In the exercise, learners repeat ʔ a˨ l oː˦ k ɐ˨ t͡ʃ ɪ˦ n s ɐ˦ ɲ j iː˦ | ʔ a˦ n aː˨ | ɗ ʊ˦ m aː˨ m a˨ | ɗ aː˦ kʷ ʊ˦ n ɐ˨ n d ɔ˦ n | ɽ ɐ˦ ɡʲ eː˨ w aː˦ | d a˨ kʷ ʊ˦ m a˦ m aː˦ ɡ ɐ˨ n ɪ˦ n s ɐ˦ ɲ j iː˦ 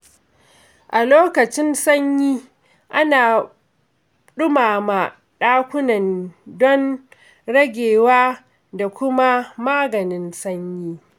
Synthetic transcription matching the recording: ʔ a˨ l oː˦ k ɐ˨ t͡ʃ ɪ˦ n s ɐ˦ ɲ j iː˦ | ʔ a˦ n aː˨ | ɗ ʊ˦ m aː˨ m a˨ | ɗ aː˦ kʷ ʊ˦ n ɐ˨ n d ɔ˦ n | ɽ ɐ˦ ɡʲ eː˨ w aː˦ | d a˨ kʷ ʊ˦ m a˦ m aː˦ ɡ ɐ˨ n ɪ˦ n s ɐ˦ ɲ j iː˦